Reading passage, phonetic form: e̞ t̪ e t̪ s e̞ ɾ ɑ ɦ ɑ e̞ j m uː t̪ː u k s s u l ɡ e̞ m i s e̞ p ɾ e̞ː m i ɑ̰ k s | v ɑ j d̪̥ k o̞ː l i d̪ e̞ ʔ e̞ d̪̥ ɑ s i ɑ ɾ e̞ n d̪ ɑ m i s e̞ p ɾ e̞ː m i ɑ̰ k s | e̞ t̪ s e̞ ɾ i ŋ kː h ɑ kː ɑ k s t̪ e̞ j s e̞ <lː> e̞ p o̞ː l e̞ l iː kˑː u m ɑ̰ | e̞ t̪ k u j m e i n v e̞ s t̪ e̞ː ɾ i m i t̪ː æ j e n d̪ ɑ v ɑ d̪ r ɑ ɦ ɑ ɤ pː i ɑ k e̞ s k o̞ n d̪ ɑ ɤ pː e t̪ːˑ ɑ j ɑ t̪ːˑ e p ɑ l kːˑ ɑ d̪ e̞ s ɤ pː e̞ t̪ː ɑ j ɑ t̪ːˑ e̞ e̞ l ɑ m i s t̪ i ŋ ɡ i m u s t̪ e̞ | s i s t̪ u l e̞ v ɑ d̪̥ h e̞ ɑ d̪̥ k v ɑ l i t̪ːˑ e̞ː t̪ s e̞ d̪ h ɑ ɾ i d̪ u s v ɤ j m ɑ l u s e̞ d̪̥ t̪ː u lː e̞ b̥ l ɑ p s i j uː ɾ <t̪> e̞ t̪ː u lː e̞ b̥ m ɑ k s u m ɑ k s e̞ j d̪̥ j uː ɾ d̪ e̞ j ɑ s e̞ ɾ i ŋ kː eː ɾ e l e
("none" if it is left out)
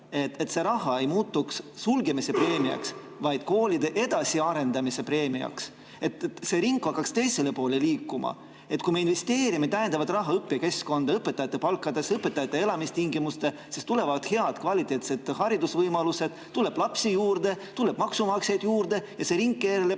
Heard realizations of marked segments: l, d̪

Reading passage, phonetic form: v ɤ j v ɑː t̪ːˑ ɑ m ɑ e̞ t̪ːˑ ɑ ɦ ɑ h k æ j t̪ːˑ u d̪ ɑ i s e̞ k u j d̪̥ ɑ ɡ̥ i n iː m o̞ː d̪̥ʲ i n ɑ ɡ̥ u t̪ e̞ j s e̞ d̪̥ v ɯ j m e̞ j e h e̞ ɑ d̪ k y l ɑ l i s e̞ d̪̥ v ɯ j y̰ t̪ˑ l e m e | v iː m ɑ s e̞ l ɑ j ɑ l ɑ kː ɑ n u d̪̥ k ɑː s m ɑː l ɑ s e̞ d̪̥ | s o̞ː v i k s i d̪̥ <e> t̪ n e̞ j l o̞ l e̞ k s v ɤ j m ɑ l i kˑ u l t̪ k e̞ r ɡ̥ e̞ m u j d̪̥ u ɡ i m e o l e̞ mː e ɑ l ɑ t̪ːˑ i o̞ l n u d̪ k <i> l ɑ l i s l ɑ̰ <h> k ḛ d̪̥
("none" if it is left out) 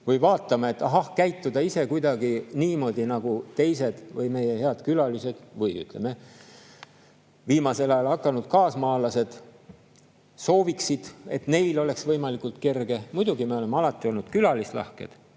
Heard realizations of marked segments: e, y, h

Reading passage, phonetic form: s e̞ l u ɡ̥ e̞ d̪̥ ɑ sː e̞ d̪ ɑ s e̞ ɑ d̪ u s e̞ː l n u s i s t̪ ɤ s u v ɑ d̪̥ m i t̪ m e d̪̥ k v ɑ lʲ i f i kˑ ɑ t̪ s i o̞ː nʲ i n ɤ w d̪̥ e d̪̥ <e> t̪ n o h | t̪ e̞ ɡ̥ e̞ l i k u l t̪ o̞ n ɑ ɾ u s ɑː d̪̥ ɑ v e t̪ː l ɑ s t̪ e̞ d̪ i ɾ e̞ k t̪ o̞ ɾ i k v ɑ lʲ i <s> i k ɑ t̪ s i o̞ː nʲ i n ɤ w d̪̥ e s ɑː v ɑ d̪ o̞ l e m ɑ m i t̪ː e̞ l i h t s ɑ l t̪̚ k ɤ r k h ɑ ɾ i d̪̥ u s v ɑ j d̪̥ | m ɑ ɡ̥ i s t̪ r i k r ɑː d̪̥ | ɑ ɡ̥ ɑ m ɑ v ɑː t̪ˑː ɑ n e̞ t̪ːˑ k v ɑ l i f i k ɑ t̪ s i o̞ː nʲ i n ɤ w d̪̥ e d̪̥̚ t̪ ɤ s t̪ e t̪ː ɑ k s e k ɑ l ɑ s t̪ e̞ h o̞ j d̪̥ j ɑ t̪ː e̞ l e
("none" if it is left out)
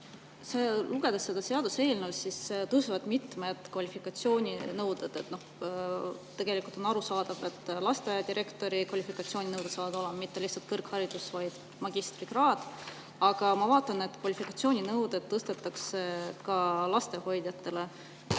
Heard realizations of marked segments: e, f

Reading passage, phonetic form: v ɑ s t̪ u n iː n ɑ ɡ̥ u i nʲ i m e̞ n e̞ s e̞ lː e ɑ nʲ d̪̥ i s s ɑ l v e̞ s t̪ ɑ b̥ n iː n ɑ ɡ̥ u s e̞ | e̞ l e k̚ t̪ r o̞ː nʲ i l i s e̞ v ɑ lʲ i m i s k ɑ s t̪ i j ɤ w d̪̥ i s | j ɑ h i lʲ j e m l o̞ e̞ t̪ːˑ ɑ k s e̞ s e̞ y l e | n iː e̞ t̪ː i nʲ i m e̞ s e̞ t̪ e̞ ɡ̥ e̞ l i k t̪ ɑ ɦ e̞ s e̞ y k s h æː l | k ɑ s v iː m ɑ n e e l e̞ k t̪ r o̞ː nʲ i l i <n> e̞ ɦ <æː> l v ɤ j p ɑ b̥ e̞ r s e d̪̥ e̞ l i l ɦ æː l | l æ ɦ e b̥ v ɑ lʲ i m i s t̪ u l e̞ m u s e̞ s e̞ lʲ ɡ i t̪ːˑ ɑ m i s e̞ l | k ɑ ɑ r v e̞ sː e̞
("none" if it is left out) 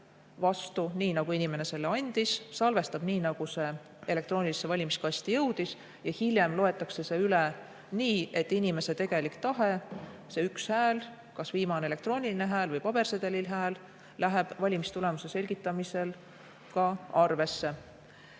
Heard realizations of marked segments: n, æː

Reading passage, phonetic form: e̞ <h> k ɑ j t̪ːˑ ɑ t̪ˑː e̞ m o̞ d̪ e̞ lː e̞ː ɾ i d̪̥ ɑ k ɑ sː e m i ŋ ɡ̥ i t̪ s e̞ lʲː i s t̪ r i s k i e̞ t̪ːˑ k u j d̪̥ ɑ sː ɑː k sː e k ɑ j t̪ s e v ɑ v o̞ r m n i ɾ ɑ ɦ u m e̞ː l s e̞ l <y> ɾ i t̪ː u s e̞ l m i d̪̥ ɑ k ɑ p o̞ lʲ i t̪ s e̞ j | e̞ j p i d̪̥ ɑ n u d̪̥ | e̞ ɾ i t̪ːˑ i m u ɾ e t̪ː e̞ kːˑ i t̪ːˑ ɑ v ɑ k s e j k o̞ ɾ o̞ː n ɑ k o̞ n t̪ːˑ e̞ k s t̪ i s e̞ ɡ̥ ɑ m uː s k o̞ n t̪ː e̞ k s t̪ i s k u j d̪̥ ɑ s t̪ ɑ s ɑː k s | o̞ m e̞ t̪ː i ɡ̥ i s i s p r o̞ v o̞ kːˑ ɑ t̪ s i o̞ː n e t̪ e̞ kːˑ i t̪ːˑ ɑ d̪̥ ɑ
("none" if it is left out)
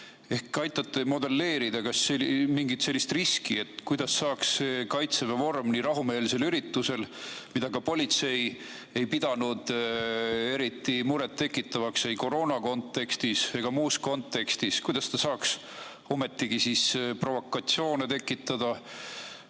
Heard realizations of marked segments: h, y

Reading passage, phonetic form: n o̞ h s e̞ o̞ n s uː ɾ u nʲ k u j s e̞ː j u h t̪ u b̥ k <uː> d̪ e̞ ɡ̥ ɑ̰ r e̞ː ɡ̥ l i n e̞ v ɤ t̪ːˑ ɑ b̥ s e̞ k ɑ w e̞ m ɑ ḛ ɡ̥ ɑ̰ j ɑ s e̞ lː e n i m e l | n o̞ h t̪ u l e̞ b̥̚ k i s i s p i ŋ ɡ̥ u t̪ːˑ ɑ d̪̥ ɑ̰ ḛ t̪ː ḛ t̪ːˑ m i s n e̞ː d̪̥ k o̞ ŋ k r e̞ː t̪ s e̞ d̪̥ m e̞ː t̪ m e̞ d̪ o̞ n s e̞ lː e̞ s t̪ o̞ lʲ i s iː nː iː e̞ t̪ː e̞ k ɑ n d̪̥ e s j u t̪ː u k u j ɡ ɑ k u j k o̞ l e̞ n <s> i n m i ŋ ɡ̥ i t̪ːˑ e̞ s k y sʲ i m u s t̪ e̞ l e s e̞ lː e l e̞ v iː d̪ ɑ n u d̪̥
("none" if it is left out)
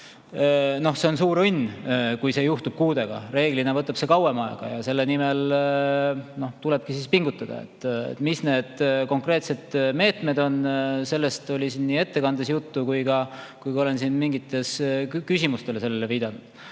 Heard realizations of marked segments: uː, s

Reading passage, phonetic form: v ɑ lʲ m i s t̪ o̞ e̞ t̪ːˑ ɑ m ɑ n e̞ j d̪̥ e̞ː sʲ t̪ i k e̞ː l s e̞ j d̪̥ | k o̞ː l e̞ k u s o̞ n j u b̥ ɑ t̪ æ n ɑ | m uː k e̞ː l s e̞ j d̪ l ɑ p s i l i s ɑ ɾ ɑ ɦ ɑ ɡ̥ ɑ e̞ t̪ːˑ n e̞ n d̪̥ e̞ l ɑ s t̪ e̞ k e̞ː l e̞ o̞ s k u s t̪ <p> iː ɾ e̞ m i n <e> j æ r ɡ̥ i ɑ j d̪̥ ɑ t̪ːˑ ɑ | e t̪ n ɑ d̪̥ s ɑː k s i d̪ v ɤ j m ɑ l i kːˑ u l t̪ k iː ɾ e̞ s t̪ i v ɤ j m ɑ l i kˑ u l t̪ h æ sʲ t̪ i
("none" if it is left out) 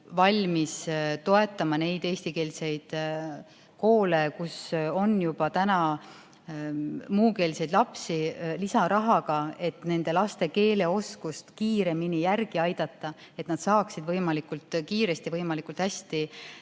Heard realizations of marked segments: k, i

